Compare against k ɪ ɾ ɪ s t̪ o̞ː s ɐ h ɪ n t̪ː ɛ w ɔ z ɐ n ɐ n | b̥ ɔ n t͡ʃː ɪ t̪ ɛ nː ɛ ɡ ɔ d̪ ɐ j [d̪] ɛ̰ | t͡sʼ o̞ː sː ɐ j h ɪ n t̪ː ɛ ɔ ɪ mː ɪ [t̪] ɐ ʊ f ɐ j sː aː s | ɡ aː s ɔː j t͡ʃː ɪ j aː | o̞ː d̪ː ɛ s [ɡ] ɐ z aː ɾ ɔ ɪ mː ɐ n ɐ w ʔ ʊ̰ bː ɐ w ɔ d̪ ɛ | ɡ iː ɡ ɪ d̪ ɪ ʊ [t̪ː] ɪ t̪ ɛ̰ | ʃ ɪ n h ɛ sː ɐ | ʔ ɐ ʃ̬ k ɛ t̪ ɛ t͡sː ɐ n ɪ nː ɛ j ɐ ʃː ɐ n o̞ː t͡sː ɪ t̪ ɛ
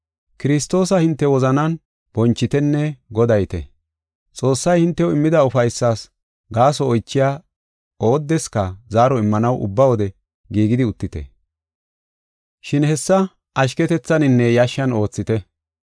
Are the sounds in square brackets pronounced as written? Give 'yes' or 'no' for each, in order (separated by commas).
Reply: no, no, no, yes